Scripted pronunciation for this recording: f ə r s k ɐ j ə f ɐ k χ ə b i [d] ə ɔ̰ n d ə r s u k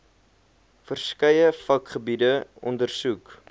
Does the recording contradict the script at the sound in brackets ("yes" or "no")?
no